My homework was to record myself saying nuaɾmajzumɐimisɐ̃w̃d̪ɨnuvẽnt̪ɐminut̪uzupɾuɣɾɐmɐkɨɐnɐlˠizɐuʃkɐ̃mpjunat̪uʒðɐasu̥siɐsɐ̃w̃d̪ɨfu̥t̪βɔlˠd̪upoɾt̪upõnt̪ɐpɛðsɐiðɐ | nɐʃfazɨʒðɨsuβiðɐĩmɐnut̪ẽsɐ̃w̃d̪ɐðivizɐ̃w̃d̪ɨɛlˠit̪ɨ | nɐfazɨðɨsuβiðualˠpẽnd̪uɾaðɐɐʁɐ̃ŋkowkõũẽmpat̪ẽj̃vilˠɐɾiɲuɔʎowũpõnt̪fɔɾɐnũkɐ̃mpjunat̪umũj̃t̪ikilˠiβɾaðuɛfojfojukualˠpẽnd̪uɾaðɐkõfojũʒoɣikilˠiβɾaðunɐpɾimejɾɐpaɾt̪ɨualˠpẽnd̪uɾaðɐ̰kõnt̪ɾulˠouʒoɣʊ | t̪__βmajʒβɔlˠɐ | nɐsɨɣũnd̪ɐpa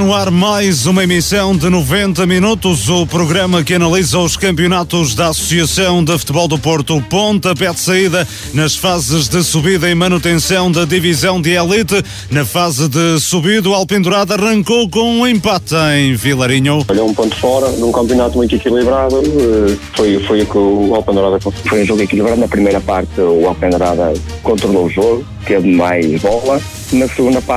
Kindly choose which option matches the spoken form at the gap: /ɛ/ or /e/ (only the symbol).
e